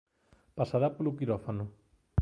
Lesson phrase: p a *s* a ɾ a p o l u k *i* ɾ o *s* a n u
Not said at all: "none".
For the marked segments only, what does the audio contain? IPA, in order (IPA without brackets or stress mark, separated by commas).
s, i, f